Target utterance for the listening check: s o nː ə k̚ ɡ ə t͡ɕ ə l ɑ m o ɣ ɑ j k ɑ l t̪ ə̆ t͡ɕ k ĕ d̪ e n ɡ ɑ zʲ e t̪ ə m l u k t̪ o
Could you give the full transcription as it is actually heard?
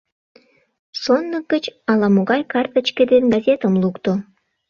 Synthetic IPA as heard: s o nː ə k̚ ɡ ə t͡ɕ ɑ l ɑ m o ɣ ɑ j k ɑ r t̪ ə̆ t͡ɕ k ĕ d̪ e n ɡ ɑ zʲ e t̪ ə m l u k t̪ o